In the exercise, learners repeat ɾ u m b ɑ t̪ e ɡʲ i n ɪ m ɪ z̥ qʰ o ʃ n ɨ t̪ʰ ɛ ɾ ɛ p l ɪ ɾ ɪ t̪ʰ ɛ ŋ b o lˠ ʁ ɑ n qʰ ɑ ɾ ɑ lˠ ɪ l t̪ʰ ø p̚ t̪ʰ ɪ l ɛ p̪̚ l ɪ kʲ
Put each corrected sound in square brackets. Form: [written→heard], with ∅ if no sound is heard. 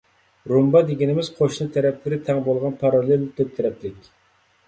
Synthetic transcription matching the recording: ɾ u m b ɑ [t̪→d̪] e ɡʲ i n ɪ m ɪ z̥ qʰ o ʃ n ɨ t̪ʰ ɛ ɾ ɛ p l ɪ ɾ ɪ t̪ʰ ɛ ŋ b o lˠ ʁ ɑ n [qʰ→pʰ] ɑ ɾ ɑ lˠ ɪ l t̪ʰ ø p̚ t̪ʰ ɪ [l→ɾ] ɛ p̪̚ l ɪ kʲ

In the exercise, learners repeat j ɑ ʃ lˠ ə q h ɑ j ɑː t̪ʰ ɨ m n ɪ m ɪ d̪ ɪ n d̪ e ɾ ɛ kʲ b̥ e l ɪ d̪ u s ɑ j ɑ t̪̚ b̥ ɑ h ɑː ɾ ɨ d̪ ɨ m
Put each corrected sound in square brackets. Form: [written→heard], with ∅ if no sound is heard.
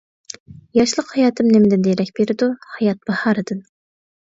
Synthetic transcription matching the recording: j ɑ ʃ lˠ ə q h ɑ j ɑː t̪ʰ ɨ m n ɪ m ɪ d̪ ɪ n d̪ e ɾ ɛ kʲ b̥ e [l→ɾ] ɪ d̪ u [s→h] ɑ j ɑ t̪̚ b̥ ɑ h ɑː ɾ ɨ d̪ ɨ [m→n]

